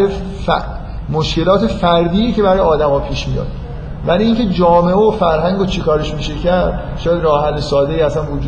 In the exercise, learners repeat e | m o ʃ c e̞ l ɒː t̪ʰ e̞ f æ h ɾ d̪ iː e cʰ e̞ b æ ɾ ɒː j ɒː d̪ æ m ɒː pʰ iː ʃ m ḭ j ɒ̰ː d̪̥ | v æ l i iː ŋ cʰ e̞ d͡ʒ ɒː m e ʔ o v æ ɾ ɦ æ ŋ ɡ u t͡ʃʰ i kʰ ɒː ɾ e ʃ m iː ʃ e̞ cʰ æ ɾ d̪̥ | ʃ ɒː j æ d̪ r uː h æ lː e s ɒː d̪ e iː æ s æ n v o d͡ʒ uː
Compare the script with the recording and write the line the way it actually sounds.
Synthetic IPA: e | m o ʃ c e̞ l ɒː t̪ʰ e̞ f æ ɾ d̪ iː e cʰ e̞ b æ ɾ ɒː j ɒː d̪ æ m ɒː pʰ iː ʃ m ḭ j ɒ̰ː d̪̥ | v æ l i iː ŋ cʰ e̞ d͡ʒ ɒː m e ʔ o f æ ɾ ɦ æ ŋ ɡ o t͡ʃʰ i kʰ ɒː ɾ e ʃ m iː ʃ e̞ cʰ æ ɾ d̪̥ | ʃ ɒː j æ d̪ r ɒː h æ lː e s ɒː d̪ e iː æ s æ n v o d͡ʒ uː